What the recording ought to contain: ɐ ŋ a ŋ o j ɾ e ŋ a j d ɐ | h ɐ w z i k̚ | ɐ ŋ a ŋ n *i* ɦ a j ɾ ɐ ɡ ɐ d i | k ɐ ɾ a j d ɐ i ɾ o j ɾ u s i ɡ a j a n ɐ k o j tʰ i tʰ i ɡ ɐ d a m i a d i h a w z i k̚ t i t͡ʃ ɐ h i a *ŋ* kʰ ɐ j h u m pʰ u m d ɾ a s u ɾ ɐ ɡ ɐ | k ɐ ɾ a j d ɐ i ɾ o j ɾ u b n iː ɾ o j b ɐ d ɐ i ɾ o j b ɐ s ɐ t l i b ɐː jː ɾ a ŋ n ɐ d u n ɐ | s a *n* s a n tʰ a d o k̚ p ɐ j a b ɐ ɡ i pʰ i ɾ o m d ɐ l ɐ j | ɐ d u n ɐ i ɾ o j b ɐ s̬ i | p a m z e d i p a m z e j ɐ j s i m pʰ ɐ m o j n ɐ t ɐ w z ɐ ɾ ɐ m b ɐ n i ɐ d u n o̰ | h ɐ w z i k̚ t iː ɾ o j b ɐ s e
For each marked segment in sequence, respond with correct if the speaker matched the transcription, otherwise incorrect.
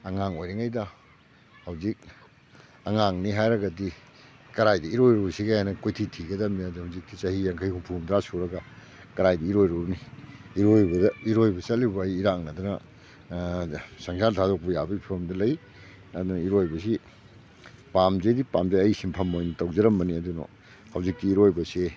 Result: correct, correct, incorrect

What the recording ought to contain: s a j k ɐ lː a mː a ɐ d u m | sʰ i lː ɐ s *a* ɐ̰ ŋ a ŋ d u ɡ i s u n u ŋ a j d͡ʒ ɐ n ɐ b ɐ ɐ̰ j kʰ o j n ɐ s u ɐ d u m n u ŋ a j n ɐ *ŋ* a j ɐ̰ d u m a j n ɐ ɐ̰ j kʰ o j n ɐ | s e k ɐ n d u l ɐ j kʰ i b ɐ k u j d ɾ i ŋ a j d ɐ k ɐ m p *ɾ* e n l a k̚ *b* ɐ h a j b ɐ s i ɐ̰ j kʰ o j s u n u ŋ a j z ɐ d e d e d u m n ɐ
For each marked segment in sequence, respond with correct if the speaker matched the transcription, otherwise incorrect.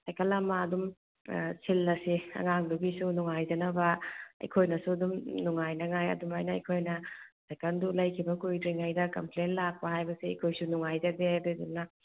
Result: incorrect, correct, incorrect, incorrect

